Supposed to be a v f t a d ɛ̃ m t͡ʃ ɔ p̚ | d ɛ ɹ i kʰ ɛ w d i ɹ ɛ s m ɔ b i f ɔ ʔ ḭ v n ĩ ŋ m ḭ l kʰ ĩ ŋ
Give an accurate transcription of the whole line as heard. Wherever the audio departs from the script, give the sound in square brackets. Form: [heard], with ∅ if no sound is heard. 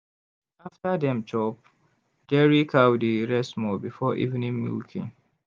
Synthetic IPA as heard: a [∅] f t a d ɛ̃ m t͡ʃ ɔ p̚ | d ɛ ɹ i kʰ [a] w d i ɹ ɛ s m ɔ b i f ɔ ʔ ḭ v n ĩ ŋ m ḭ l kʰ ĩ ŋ